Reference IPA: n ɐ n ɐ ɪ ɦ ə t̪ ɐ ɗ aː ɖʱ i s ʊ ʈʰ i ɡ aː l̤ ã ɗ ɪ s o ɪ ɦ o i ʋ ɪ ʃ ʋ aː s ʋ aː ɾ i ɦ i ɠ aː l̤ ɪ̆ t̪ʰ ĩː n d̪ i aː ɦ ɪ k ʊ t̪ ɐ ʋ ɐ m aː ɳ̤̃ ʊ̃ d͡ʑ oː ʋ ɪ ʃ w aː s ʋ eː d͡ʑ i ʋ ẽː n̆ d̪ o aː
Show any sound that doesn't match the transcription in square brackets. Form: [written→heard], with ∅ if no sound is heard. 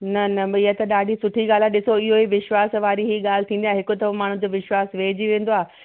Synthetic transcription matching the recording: n ɐ n ɐ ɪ ɦ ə t̪ ɐ ɗ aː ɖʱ i s ʊ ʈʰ i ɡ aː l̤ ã ɗ ɪ s o ɪ ɦ o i ʋ ɪ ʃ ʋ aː s ʋ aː ɾ i ɦ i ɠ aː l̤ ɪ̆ t̪ʰ ĩː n d̪ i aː ɦ ɪ k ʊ t̪ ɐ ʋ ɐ m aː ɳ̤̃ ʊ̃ d͡ʑ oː ʋ ɪ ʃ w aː s ʋ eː d͡ʑ i ʋ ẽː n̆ d̪ o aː